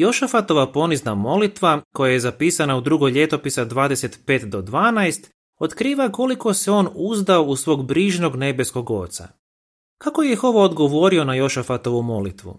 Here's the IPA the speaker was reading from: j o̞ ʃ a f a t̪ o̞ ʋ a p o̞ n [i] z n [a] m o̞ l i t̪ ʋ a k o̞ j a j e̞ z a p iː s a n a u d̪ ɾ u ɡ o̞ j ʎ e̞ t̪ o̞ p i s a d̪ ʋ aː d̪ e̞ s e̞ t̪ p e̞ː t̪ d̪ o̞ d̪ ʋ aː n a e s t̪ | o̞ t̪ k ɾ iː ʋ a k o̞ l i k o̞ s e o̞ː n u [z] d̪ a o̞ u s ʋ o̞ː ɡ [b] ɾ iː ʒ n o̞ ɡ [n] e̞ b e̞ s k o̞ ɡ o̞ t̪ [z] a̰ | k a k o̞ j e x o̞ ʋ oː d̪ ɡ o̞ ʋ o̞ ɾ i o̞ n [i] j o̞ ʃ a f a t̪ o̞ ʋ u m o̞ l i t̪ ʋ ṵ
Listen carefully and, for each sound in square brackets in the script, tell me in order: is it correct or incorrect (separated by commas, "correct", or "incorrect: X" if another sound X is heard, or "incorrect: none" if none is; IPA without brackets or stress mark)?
correct, correct, correct, correct, correct, incorrect: s, incorrect: a